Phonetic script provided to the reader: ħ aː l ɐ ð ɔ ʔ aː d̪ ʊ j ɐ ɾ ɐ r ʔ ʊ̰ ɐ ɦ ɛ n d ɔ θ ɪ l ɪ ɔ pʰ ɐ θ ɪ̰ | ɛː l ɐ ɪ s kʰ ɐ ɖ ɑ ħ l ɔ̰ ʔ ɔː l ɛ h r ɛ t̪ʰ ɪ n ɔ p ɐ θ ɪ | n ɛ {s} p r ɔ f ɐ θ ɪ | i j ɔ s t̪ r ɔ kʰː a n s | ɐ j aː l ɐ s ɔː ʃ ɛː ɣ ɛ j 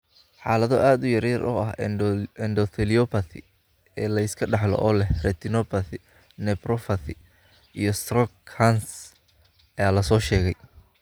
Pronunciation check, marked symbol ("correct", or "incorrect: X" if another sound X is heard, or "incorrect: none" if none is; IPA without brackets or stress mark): incorrect: none